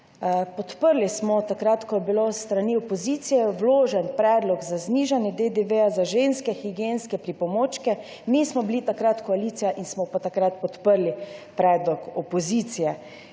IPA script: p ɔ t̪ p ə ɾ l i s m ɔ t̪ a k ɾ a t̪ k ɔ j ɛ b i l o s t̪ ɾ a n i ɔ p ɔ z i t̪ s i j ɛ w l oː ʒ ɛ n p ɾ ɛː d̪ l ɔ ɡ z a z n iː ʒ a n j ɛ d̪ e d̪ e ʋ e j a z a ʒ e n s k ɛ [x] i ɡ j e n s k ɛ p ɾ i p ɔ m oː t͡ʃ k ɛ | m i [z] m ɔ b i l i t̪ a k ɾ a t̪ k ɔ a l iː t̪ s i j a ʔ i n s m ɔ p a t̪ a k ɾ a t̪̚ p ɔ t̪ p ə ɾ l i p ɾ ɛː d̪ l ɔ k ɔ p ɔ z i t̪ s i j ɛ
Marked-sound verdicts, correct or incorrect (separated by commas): correct, incorrect